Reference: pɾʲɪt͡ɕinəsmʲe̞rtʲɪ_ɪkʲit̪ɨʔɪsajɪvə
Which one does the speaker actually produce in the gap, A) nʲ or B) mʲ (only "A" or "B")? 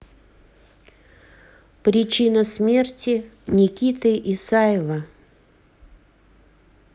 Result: A